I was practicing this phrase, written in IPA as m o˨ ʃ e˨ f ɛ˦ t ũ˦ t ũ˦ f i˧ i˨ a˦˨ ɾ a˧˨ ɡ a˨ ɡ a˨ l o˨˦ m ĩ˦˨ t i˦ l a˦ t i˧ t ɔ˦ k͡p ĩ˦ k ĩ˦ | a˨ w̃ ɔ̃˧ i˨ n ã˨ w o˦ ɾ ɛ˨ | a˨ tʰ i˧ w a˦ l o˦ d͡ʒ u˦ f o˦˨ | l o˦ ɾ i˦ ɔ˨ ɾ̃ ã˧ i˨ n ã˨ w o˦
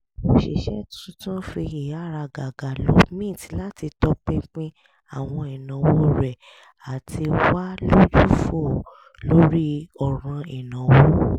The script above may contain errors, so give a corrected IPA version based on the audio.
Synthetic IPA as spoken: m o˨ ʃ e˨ ʃ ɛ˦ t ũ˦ t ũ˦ f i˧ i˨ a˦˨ ɾ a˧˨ ɡ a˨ ɡ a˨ l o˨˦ m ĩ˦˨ t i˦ l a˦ t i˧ t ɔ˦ k͡p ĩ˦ k͡p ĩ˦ | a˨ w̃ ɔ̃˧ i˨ n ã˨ w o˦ ɾ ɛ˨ | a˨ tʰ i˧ w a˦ l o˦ d͡ʒ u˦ f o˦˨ | l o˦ ɾ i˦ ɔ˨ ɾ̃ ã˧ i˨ n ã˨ w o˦